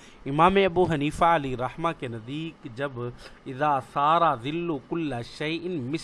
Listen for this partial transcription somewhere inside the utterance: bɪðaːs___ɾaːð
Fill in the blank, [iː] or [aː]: aː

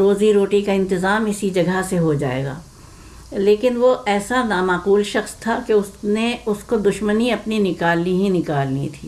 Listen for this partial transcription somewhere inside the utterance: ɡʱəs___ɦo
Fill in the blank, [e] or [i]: e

